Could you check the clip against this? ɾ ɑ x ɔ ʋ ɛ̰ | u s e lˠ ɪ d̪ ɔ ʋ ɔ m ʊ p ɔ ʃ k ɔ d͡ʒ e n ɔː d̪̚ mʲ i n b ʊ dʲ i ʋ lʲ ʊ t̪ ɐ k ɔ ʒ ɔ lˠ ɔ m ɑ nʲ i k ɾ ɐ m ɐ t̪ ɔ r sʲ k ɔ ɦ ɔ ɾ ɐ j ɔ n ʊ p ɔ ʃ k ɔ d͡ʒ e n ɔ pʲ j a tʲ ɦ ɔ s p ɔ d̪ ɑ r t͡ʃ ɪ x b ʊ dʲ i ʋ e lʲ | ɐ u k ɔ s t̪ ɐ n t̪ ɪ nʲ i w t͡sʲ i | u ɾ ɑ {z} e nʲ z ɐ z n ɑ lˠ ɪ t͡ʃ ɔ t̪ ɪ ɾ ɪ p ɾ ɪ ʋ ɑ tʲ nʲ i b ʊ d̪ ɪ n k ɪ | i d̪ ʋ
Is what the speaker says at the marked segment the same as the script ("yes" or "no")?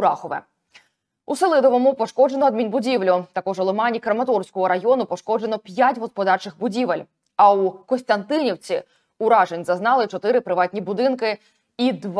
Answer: no